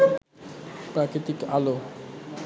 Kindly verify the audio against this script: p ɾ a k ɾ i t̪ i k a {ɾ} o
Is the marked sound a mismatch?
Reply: yes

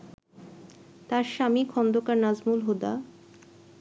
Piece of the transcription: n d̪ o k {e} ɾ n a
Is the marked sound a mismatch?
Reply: yes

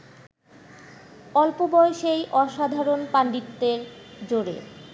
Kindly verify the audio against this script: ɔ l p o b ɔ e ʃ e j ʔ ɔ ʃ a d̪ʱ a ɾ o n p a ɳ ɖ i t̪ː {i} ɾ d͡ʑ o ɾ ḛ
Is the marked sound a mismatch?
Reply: yes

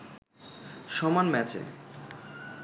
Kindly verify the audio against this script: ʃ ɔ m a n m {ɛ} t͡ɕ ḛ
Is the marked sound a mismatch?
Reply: no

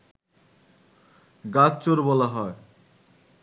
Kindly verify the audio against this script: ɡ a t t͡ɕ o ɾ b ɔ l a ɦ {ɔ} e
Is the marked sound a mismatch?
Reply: no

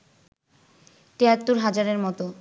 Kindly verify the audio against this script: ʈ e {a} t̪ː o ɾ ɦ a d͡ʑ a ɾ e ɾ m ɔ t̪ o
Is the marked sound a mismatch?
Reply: no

